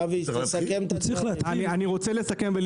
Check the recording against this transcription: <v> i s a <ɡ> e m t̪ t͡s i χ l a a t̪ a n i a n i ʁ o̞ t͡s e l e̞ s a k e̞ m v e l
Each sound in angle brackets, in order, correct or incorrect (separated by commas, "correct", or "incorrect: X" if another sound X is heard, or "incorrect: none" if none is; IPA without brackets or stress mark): correct, incorrect: k